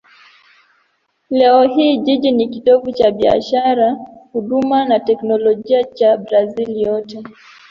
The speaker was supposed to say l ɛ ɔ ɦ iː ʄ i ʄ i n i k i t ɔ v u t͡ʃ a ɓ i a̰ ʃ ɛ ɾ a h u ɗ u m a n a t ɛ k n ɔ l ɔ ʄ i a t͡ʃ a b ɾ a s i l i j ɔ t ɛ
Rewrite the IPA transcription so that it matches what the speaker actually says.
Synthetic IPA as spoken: l ɛ ɔ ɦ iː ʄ i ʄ i n i k i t ɔ v u t͡ʃ a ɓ i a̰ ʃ a ɾ a h u ɗ u m a n a t ɛ k n ɔ l ɔ ʄ i a t͡ʃ a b ɾ a z i l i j ɔ t ɛ

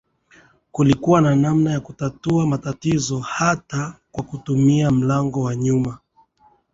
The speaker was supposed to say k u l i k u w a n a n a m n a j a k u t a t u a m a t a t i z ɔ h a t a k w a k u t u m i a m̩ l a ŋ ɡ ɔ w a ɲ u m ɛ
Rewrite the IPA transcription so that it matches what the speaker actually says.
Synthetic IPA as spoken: k u l i k u w a n a n a m n a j a k u t a t u a m a t a t i z ɔ h a t a k w a k u t u m i a m̩ l a ŋ ɡ ɔ w a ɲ u m a

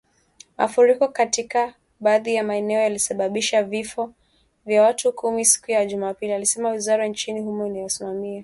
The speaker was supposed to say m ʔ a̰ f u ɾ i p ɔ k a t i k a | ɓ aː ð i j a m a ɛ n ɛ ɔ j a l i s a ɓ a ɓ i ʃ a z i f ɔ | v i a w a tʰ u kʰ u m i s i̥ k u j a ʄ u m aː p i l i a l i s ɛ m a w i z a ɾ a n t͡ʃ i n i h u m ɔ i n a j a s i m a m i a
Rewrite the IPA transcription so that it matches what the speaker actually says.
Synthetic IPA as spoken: m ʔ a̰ f u ɾ i k ɔ k a t i k a | ɓ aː ð i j a m a ɛ n ɛ ɔ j a l i s a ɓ a ɓ i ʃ a v i f ɔ | v j a w a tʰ u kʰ u m i s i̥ k u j a ʄ u m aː p i l i a l i s ɛ m a w i z a ɾ a n t͡ʃ i n i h u m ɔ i n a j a s i m a m i a

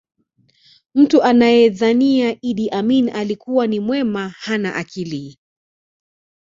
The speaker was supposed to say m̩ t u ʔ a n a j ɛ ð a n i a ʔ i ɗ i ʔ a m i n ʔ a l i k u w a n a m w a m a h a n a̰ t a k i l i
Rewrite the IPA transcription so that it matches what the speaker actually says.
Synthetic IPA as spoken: m̩ t u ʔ a n a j ɛ ð a n i a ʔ i ɗ i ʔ a m i n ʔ a l i k u w a n i m w ɛ m a h a n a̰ ʔ a k i l i

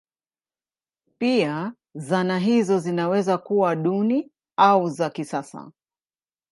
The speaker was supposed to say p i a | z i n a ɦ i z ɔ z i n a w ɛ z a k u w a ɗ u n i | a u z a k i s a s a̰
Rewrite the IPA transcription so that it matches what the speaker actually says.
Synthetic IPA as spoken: p i a | z a n a ɦ i z ɔ z i n a w ɛ z a k u w a ɗ u n i | a u z a k i s a s a̰

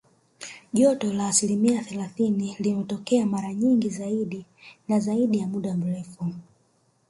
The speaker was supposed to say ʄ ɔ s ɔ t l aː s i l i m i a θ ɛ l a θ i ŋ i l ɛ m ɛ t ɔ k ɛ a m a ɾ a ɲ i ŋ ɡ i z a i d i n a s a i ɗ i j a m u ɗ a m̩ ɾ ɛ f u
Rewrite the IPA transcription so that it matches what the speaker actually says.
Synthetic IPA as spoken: ʄ ɔ t ɔ l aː s i l i m i a θ ɛ l a θ i n i l i m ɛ t ɔ k ɛ a m a ɾ a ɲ i ŋ ɡ i z a i ɗ i n a z a i ɗ i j a m u ɗ a m̩ ɾ ɛ f u

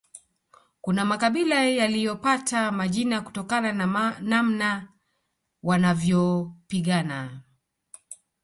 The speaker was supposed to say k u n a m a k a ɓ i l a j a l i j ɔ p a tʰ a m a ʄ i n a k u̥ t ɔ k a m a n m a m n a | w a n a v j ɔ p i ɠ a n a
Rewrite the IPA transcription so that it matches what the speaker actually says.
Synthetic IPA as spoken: k u n a m a k a ɓ i l a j a l i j ɔ p a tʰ a m a ʄ i n a k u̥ t ɔ k a n a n n a m n a | w a n a v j ɔ p i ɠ a n a

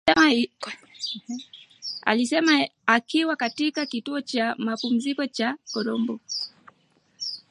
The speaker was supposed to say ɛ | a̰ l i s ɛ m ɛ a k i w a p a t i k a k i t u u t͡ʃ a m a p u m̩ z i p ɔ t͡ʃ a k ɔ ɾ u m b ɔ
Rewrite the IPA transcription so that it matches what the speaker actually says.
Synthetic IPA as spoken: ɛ | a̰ l i s ɛ m a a k i w a k a t i k a k i t u ɔ t͡ʃ a m a p u m̩ z i k ɔ t͡ʃ a k ɔ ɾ ɔ m b ɔ

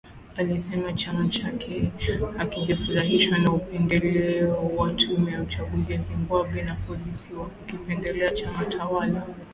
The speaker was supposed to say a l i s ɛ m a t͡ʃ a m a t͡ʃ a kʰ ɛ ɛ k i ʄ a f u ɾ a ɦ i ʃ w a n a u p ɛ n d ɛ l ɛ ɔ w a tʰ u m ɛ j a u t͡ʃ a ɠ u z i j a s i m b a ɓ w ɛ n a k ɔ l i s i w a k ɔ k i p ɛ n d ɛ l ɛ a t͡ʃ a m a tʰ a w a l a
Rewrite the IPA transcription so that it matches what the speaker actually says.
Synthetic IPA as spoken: a l i s ɛ m a t͡ʃ a m a t͡ʃ a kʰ ɛ a k i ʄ a f u ɾ a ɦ i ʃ w a n a u p ɛ n d ɛ l ɛ ɔ w a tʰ u m ɛ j a u t͡ʃ a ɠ u z i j a z i m b a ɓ w ɛ n a p ɔ l i s i w a k u k i p ɛ n d ɛ l ɛ a t͡ʃ a m a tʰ a w a l a

